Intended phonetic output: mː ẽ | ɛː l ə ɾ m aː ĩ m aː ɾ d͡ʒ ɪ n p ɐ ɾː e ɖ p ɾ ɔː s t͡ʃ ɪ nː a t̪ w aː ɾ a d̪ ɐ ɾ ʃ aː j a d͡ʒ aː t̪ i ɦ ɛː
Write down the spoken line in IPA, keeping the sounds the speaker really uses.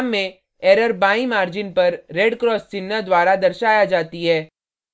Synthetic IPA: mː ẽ | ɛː ɾ ə ɾ b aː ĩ m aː ɾ d͡ʒ ɪ n p ɐ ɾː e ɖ k ɾ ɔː s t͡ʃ ɪ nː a d̪ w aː ɾ a d̪ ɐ ɾ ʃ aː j a d͡ʒ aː t̪ i ɦ ɛː